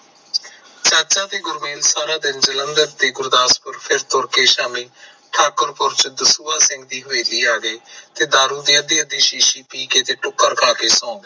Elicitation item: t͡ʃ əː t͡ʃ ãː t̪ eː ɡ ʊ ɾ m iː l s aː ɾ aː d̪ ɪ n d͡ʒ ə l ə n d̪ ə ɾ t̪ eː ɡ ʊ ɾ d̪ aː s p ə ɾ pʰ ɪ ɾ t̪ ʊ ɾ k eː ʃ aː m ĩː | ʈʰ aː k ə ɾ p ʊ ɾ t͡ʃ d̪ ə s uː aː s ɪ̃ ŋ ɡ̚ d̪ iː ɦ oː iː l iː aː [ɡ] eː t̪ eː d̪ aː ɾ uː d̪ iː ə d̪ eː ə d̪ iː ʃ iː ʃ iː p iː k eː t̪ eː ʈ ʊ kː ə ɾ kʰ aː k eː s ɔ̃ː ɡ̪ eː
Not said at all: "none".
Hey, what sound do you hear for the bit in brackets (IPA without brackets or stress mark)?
ɡ